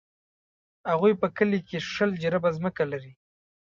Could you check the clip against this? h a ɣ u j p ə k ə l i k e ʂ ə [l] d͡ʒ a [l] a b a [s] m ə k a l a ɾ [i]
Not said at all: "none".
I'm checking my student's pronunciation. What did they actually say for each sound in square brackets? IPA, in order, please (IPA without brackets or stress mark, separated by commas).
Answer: l, ɾ, z, i